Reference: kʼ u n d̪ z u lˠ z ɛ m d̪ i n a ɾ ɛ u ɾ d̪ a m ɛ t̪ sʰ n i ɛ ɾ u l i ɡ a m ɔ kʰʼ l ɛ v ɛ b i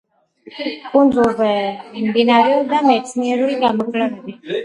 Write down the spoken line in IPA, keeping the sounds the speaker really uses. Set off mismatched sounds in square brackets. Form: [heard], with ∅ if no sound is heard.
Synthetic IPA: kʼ u n d̪ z u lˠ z ɛ m d̪ i n a ɾ ɛ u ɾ d̪ a m ɛ t̪ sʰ n i ɛ ɾ u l i ɡ a m ɔ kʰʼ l ɛ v ɛ b i